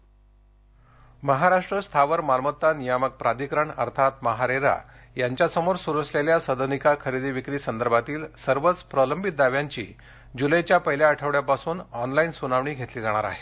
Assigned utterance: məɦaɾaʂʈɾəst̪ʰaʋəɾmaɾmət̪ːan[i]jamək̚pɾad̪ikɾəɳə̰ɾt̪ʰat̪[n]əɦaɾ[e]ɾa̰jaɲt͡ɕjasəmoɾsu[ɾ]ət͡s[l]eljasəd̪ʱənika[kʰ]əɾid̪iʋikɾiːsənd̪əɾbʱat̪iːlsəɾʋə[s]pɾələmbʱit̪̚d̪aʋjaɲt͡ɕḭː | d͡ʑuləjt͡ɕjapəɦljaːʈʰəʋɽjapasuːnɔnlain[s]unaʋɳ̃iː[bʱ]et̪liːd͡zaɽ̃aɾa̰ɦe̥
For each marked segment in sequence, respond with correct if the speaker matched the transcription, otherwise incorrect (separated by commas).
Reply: correct, incorrect, correct, correct, correct, correct, incorrect, correct, incorrect